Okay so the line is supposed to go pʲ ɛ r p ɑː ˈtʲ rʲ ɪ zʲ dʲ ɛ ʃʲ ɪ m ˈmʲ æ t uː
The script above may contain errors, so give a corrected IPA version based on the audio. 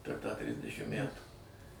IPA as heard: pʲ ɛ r t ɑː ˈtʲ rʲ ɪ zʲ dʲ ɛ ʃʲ ɪ m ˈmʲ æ t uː